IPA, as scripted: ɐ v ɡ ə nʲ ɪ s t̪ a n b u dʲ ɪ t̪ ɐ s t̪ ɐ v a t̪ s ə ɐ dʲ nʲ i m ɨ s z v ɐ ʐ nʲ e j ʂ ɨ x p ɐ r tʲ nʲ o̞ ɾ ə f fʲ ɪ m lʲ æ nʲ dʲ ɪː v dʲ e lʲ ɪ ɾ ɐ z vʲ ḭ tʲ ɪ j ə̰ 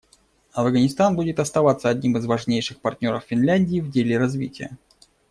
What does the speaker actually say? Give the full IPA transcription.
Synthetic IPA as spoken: ɐ v ɡ ə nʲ ɪ s t̪ a n b u dʲ ɪ t̪ ɐ s t̪ ɐ v a t̪ s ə ɐ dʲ nʲ i m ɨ z v ɐ ʐ nʲ e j ʂ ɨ x p ɐ r tʲ nʲ o̞ ɾ ə f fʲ ɪ n lʲ æ nʲ dʲ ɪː v dʲ e lʲ ɪ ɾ ɐ z vʲ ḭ tʲ ɪ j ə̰